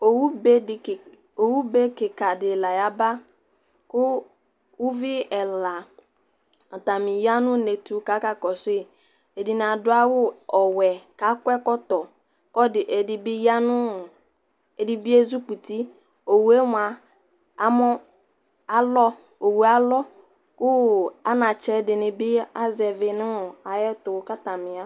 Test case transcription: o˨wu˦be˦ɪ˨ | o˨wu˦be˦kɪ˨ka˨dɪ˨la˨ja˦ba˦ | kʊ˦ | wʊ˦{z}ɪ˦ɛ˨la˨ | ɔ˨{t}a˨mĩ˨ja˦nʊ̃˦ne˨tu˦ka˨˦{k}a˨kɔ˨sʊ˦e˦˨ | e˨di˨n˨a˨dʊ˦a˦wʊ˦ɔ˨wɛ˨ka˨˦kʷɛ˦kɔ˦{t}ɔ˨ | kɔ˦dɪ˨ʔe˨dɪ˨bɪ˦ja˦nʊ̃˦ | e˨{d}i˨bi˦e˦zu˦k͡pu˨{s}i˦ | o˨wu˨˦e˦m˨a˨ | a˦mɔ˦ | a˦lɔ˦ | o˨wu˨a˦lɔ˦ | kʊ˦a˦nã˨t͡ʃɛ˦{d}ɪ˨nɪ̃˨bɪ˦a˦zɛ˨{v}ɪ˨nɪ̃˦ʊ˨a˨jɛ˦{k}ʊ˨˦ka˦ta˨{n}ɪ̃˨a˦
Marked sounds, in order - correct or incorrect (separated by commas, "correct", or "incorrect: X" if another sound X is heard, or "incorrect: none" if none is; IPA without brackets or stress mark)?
incorrect: v, correct, correct, correct, correct, incorrect: t, correct, correct, incorrect: t, incorrect: m